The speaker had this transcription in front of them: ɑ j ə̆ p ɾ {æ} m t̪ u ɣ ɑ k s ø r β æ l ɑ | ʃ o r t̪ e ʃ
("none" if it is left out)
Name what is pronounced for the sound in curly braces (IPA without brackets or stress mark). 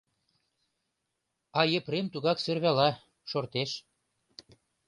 e